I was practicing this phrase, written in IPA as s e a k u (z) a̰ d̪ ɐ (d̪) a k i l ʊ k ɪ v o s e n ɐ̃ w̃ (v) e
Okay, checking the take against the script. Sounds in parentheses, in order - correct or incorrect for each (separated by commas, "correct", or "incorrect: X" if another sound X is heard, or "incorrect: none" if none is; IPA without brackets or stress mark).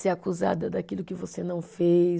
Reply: correct, correct, incorrect: f